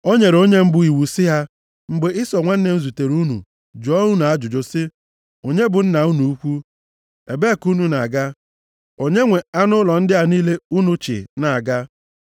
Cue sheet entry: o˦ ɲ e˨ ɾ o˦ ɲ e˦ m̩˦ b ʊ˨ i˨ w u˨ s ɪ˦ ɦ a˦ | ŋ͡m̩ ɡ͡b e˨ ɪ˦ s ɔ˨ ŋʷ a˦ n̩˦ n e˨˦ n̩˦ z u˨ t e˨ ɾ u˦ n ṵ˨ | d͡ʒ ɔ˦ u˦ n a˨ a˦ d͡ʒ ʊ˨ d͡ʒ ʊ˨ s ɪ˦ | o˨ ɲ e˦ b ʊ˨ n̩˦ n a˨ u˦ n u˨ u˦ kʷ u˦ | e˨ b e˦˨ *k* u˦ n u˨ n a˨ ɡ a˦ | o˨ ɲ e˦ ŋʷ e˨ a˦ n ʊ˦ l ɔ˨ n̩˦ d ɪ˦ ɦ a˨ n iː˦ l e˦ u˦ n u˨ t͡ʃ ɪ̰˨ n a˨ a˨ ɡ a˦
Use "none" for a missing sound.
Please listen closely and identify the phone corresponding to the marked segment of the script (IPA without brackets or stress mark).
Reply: k